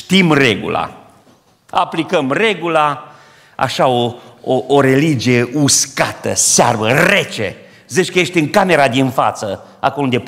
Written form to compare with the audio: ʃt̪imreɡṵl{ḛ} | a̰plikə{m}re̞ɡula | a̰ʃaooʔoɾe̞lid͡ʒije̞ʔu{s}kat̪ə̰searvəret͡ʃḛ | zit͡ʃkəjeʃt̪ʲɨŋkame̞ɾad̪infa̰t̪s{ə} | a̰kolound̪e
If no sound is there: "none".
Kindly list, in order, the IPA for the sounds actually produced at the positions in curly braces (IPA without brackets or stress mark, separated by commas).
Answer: a̰, m, s, ə